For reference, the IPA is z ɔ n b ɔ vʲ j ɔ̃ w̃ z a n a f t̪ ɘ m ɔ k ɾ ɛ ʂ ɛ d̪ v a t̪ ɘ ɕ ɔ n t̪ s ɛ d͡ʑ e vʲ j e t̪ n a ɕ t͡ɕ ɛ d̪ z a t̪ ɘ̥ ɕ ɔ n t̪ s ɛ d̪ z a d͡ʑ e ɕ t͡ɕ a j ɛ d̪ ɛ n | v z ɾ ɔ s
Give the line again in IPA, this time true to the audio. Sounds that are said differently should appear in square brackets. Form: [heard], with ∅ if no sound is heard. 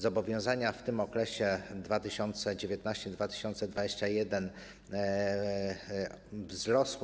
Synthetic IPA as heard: z ɔ [∅] b ɔ vʲ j ɔ̃ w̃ z a [ɲ] a f t̪ ɘ m ɔ k ɾ ɛ [ɕ] ɛ d̪ v a t̪ ɘ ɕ ɔ n t̪ s ɛ d͡ʑ e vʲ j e t̪ n a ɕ t͡ɕ ɛ d̪ [v] a t̪ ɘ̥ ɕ ɔ n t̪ s ɛ d̪ [v] a d͡ʑ e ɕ t͡ɕ a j ɛ d̪ ɛ n | v z ɾ ɔ s